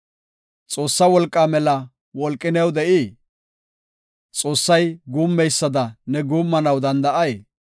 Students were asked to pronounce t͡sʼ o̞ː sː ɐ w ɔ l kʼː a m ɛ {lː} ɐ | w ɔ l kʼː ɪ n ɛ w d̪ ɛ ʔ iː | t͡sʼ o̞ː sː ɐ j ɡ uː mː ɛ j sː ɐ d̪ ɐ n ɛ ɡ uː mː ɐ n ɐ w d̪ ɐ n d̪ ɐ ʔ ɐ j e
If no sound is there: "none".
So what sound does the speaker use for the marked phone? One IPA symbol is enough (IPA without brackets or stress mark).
l